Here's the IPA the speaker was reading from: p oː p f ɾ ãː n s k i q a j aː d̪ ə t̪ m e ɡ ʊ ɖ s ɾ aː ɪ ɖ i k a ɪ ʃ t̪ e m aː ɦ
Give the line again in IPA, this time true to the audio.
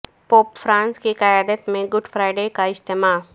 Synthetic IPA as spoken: p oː p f ɾ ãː n s k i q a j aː d̪ ə t̪ m ẽ ɡ ʊ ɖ f ɾ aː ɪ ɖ e k a ɪ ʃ t̪ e m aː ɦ